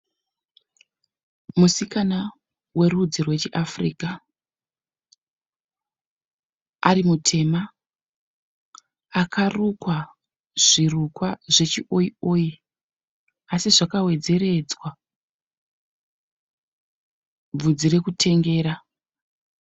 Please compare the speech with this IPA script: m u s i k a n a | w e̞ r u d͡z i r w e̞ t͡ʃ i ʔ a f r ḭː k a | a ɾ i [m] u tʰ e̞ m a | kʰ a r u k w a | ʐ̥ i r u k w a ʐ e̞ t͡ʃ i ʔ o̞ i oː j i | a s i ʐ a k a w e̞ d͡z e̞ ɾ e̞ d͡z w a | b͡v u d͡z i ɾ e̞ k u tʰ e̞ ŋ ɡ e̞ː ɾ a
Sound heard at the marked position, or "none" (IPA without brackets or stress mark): m